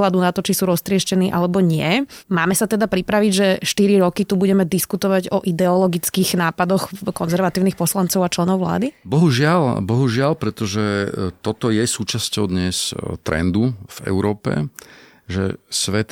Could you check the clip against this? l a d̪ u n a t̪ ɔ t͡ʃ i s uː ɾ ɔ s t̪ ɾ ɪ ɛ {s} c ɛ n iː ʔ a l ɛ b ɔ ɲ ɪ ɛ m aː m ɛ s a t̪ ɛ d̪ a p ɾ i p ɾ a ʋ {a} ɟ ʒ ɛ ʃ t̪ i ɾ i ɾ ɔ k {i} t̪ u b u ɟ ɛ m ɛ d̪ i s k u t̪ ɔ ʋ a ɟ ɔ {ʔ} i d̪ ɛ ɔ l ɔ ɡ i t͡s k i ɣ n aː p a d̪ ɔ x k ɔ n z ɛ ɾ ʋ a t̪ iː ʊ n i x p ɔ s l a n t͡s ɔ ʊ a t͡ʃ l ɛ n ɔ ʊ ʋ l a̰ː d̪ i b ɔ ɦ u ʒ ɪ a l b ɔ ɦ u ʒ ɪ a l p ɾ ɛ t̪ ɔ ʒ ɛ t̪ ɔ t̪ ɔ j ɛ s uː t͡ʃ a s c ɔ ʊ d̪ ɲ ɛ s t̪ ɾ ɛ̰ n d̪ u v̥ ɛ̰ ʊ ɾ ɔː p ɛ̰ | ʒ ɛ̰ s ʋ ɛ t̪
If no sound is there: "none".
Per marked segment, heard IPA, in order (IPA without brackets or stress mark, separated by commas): ʃ, i, i, ʔ